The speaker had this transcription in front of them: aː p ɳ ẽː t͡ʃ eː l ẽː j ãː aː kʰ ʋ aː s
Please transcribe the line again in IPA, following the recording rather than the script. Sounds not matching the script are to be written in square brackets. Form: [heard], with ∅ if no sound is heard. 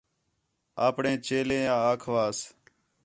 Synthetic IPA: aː p ɳ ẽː t͡ʃ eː l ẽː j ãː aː kʰ ʋ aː s